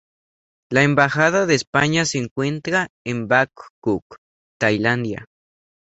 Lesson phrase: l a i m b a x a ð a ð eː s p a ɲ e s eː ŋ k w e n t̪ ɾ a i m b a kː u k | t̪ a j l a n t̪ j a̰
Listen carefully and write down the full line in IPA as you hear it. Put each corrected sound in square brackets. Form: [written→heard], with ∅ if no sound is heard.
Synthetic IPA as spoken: l a [i→e] m b a x a ð a ð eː s p a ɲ [e→a] s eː ŋ k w e n t̪ ɾ a [i→e] m b a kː u k | t̪ a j l a n [t̪→d̪] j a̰